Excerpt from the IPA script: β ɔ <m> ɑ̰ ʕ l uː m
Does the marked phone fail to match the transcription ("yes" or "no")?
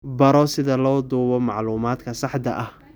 no